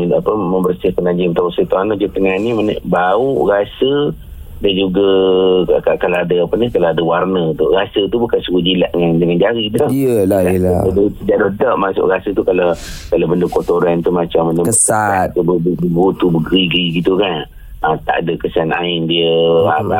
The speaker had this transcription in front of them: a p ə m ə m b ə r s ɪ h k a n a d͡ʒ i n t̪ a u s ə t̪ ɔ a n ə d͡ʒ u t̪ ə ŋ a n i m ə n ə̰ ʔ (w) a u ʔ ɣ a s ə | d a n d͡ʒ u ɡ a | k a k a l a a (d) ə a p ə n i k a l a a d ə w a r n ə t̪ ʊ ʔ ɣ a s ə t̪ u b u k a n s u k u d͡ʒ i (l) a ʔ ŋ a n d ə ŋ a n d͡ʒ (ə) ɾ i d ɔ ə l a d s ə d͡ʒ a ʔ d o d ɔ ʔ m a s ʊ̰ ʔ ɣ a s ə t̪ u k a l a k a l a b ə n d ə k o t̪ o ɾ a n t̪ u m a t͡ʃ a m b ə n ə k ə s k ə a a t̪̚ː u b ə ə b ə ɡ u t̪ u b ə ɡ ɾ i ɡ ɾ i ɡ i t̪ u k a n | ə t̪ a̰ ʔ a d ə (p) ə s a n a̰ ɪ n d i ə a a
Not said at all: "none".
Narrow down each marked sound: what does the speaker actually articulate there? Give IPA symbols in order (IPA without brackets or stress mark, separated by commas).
b, d, l, a, k